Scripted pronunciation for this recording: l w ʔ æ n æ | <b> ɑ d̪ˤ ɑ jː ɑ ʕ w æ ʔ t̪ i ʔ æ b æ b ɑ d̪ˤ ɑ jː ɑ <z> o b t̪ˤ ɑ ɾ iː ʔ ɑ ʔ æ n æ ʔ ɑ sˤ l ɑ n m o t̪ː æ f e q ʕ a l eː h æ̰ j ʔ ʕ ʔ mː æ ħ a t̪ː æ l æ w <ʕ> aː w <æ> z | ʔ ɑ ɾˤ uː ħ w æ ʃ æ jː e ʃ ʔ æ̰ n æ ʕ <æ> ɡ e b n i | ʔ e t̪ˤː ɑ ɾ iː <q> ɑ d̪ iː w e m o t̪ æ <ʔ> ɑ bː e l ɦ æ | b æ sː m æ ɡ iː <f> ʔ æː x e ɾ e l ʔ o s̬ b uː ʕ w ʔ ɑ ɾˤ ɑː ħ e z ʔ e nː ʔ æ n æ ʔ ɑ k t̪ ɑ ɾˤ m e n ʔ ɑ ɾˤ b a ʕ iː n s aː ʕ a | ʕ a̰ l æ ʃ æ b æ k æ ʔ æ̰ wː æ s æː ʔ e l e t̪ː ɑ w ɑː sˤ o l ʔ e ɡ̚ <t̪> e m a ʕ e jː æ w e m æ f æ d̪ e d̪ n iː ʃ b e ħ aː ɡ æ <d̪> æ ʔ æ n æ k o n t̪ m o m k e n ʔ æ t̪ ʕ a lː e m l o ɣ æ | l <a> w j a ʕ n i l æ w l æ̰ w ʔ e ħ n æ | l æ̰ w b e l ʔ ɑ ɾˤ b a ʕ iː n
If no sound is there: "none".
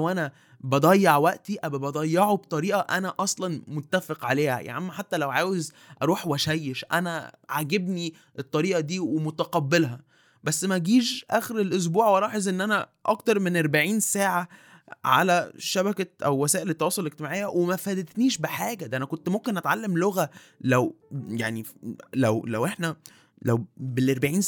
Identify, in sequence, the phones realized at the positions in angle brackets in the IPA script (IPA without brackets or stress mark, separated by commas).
b, ʕ, ʕ, e, a, ʔ, q, ʃ, t̪, d̪, æ